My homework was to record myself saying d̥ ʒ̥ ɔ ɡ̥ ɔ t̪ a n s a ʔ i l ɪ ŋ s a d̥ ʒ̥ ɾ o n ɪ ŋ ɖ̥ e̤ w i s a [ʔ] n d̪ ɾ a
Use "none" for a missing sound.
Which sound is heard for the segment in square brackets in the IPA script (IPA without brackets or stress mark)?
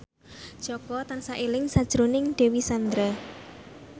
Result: none